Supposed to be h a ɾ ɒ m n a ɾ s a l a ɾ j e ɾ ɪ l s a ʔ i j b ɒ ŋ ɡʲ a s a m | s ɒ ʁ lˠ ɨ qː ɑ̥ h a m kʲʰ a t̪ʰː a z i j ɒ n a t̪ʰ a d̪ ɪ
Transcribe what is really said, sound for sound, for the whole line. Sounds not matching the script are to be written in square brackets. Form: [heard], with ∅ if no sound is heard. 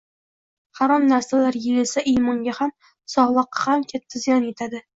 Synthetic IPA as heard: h a ɾ ɒ m n a ɾ s a l a ɾ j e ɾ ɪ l s a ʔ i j [m] ɒ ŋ ɡʲ a [h] a m | s ɒ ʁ lˠ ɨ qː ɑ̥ h a m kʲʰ a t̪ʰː a z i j ɒ n [e] t̪ʰ a d̪ ɪ